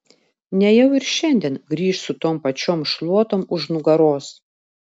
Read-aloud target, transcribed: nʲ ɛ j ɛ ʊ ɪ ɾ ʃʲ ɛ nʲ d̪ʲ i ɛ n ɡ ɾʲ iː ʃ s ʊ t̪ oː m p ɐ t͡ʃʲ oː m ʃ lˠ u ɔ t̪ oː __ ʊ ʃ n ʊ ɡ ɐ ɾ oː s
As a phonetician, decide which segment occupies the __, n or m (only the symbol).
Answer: m